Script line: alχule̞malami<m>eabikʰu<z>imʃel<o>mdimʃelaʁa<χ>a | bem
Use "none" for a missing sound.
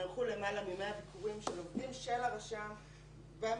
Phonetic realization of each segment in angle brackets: m, ʁ, o, ʃ

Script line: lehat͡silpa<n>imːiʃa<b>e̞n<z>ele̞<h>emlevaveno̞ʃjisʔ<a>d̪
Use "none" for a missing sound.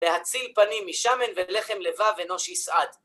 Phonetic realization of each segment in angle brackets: n, m, v, χ, a

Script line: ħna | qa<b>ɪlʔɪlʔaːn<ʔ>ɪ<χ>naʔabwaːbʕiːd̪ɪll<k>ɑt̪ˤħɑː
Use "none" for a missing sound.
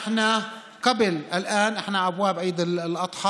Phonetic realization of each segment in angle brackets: b, ʔ, ħ, ʔ

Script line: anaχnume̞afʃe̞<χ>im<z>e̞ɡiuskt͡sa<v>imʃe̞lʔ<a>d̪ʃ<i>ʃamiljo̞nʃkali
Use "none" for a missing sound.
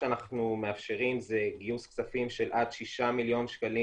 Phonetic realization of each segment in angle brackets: ʁ, z, f, a, i

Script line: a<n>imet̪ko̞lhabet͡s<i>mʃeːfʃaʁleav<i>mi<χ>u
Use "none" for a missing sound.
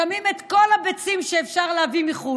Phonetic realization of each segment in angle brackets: m, i, i, χ

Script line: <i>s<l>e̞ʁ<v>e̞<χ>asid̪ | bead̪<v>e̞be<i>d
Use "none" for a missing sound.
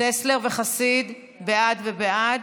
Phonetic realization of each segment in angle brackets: e, l, v, χ, v, a

